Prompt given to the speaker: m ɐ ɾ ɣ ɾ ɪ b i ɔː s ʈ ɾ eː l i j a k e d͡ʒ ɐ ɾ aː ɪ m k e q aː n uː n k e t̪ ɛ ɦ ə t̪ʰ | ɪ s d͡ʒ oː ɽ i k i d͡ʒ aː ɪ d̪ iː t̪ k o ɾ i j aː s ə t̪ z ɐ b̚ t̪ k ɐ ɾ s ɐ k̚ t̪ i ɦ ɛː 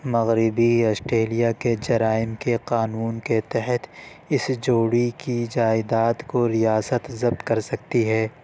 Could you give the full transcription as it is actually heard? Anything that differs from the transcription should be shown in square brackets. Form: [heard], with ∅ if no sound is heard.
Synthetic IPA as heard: m ɐ [∅] ɣ ɾ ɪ b i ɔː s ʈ ɾ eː l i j a k e d͡ʒ ɐ ɾ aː ɪ m k e q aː n uː n k e t̪ ɛ ɦ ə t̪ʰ | ɪ s d͡ʒ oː ɽ i k i d͡ʒ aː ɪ d̪ [aː] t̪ k o ɾ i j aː s ə t̪ z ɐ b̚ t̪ k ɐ ɾ s ɐ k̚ t̪ i ɦ ɛː

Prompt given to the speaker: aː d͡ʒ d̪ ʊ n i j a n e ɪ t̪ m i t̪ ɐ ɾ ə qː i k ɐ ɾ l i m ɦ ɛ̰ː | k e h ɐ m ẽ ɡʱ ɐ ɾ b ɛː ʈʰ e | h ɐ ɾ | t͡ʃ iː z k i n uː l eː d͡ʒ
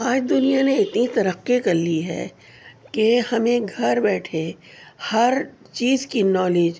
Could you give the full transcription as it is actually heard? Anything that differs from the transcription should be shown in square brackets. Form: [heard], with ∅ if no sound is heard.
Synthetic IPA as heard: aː d͡ʒ d̪ ʊ n i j a n e ɪ t̪ [n] i t̪ ɐ ɾ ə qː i k ɐ ɾ l i [∅] ɦ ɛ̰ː | k e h ɐ m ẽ ɡʱ ɐ ɾ b ɛː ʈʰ e | h ɐ ɾ | t͡ʃ iː z k i n [ɔː] l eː d͡ʒ

